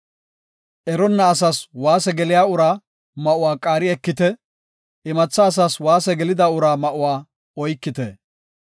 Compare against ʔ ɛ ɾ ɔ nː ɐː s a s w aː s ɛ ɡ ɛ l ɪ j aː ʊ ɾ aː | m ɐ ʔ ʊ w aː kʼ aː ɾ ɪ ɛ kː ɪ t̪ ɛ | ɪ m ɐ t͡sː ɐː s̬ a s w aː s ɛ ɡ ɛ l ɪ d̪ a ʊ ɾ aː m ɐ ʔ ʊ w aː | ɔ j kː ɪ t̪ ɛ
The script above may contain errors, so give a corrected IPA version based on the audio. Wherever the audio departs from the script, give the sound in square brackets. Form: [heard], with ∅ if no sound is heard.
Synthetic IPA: ʔ ɛ ɾ ɔ nː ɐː s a s w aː s ɛ ɡ ɛ l ɪ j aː ʊ ɾ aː | m ɐ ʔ ʊ w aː kʼ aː ɾ ɪ ɛ kː ɪ t̪ ɛ | ɪ m ɐ t͡sː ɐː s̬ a s w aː s ɛ ɡ ɛ l ɪ d̪ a ʊ ɾ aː m ɐ ʔ ʊ w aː | ɔ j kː ɪ t̪ ɛ